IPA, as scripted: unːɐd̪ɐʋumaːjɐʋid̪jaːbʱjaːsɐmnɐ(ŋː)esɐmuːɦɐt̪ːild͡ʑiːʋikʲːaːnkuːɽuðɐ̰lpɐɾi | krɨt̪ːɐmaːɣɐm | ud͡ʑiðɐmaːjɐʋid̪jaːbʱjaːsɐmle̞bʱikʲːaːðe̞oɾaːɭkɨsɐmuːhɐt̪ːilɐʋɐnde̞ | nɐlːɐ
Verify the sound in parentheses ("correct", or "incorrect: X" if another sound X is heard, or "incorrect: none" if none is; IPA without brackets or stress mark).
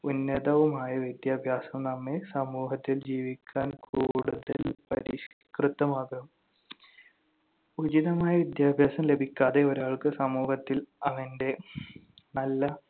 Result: incorrect: mː